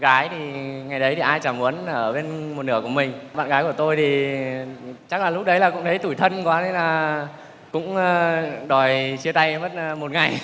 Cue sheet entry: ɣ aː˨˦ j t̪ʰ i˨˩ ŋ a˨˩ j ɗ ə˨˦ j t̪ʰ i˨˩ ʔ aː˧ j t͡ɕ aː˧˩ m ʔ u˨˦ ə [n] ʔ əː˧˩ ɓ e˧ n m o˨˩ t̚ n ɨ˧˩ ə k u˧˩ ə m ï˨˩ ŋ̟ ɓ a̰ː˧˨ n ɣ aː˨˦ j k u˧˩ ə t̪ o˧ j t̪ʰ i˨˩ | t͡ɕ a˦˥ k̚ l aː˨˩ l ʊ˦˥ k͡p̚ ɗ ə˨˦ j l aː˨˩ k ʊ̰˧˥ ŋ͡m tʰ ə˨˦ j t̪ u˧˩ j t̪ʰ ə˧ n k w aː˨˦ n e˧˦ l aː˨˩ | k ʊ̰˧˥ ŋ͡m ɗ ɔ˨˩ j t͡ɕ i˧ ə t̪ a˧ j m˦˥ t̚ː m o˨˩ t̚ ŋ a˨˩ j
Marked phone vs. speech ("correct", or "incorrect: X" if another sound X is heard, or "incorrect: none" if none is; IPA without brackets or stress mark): correct